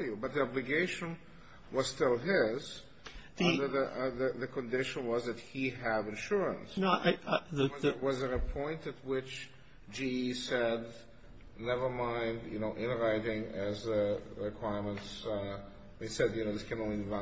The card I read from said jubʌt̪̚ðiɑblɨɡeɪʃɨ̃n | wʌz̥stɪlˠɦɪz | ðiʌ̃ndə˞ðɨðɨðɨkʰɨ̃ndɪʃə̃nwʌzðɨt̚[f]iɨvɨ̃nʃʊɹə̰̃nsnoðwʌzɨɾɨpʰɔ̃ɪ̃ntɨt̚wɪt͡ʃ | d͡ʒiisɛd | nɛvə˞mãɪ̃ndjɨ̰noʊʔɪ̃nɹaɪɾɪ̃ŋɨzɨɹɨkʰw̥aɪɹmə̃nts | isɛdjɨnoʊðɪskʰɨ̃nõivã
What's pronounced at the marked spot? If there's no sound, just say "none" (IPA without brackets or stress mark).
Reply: h